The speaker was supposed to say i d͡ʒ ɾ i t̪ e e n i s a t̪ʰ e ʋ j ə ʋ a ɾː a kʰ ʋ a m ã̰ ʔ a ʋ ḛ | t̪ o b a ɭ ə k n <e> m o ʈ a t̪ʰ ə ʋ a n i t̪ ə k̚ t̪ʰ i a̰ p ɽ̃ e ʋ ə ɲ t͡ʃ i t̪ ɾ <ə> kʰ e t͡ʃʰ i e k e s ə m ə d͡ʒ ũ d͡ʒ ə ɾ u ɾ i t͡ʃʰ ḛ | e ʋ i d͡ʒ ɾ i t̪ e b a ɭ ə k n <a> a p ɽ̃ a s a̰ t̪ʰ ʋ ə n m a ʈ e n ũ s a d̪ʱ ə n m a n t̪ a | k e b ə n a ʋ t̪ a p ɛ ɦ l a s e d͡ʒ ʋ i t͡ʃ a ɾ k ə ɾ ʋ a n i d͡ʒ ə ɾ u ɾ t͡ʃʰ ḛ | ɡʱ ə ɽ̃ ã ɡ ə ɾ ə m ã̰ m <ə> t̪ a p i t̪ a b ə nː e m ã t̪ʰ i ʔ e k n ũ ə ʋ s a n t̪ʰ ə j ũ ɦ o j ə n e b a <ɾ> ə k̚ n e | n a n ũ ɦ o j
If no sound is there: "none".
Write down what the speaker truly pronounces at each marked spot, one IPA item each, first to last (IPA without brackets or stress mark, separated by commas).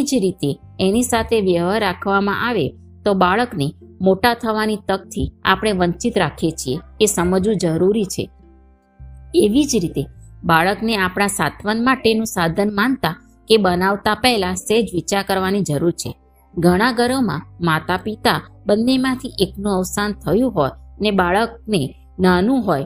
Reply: e, a, e, a, ɭ